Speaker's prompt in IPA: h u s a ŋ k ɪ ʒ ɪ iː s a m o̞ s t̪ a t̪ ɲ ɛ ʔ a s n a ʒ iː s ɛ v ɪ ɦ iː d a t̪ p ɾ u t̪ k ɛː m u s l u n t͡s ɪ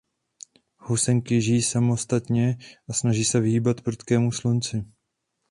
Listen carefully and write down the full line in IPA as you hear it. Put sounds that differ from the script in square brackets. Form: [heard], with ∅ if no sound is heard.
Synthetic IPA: h u s [ɛ] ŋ k ɪ ʒ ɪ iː s a m o̞ s t̪ a t̪ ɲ ɛ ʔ a s n a ʒ iː s ɛ v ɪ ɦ iː [b] a t̪ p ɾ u t̪ k ɛː m u s l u n t͡s ɪ